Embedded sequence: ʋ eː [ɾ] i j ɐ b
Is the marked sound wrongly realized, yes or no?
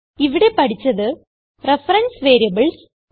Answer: no